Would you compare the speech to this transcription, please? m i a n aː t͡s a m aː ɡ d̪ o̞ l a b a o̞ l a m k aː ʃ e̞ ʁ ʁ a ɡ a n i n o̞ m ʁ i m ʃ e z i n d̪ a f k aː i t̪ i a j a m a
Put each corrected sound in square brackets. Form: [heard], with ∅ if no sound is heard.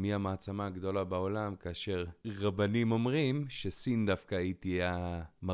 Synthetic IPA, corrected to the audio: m i a [m] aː t͡s a m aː ɡ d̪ o̞ l a b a o̞ l a m k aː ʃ e̞ ʁ ʁ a [b] a n i [m] o̞ m ʁ i m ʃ e [s] i n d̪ a f k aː i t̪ i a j a m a